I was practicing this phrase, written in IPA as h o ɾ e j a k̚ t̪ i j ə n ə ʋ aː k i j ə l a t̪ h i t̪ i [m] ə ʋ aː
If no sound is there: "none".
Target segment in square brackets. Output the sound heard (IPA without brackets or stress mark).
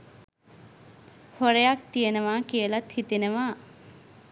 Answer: n